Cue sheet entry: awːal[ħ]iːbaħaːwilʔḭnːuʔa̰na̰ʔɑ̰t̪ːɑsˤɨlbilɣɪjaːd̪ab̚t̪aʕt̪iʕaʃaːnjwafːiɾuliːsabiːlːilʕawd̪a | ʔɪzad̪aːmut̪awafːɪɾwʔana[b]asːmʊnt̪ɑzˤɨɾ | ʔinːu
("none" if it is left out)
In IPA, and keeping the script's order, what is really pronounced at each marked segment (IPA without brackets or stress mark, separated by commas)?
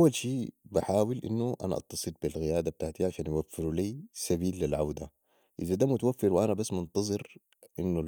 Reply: ʃ, b